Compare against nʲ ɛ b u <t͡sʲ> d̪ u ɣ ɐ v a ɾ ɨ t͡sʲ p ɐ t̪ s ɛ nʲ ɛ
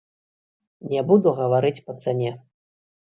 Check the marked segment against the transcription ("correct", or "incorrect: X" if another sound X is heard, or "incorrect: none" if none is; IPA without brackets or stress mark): incorrect: none